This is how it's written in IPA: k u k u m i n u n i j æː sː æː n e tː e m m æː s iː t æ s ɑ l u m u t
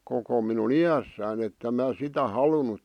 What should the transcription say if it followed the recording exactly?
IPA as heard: k o k o m i n u n i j æ sː æː n e tː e m m æː s i t æ h ɑ l u n u t